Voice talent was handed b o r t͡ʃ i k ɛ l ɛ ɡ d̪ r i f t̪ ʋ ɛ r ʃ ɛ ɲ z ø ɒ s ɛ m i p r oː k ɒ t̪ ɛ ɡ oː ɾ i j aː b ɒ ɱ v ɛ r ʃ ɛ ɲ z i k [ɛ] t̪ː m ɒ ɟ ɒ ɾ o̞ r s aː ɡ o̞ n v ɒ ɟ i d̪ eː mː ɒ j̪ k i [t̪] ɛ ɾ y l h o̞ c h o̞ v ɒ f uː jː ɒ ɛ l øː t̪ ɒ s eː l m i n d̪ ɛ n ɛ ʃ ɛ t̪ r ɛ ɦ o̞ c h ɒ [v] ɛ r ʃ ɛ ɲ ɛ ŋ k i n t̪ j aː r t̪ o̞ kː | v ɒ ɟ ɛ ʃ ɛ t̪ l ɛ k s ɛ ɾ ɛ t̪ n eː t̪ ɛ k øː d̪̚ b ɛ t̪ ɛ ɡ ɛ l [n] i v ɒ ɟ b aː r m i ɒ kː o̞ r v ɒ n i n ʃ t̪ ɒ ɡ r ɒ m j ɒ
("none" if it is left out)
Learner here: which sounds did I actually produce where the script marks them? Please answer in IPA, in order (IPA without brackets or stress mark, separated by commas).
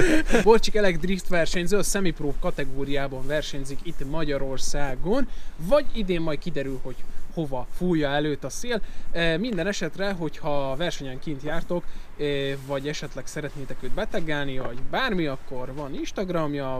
i, d̪, v, n